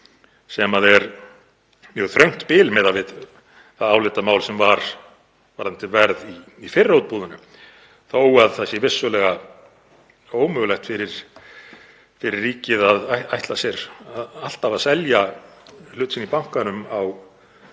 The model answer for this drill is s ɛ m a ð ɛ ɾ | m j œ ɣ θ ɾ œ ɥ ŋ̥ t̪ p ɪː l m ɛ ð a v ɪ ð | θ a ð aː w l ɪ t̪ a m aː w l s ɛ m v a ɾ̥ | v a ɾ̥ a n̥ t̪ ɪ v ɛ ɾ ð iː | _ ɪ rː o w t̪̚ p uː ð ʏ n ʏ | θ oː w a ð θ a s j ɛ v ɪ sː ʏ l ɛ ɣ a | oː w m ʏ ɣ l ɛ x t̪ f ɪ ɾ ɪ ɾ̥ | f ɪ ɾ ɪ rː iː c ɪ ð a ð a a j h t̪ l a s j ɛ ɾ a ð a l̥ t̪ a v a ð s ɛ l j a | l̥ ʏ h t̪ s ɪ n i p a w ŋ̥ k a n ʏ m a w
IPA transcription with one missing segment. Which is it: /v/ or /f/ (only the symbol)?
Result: f